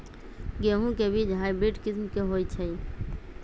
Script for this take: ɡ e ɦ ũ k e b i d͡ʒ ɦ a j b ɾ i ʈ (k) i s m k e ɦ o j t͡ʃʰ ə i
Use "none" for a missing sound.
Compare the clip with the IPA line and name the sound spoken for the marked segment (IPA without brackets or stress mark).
k